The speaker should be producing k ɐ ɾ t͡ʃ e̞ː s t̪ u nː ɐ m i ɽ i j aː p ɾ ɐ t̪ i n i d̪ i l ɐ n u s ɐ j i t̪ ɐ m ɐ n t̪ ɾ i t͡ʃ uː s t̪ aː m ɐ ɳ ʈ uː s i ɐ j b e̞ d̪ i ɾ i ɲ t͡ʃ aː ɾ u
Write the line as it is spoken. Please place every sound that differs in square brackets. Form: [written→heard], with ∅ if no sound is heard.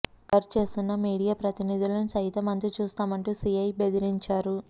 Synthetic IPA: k ɐ ɾ t͡ʃ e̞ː s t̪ u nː ɐ m [i→iː] ɽ i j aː p ɾ ɐ t̪ i n i d̪ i l ɐ n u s ɐ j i t̪ ɐ m ɐ n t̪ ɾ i t͡ʃ uː s t̪ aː m ɐ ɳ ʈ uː s i ɐ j b e̞ d̪ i ɾ i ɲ t͡ʃ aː ɾ u